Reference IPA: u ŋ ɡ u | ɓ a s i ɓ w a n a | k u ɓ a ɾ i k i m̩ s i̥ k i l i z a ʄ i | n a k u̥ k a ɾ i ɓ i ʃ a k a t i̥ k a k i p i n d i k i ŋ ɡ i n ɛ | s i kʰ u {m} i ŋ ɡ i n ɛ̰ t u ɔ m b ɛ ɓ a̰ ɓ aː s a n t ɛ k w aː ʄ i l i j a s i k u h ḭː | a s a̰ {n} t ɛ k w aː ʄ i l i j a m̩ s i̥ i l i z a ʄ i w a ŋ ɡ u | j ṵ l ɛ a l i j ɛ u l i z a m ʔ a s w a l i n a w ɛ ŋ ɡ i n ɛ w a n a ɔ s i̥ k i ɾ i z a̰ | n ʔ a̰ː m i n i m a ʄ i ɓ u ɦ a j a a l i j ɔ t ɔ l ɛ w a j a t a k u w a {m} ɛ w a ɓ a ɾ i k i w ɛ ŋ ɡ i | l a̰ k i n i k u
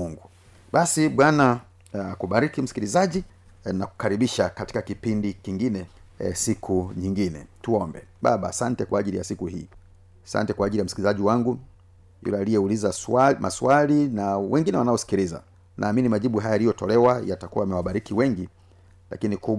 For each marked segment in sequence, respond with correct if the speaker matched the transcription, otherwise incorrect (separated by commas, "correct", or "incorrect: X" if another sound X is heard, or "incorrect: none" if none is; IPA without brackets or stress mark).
incorrect: ɲ, correct, correct